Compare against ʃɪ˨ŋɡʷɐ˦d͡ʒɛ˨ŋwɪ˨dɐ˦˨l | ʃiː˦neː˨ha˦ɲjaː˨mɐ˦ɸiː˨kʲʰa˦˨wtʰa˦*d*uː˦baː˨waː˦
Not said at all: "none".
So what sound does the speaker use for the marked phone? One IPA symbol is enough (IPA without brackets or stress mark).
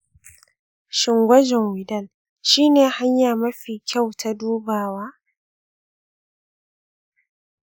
d